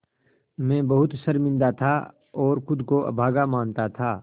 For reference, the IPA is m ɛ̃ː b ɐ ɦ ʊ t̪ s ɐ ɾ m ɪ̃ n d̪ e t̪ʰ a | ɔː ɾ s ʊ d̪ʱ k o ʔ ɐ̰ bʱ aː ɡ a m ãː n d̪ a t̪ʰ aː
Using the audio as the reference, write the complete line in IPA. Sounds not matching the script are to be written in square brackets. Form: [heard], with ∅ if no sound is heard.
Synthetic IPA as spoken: m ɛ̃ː b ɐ ɦ ʊ t̪ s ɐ ɾ m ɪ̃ n d̪ [a] t̪ʰ a | ɔː ɾ [x] ʊ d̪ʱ k o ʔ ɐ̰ bʱ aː ɡ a m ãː n [t̪] a t̪ʰ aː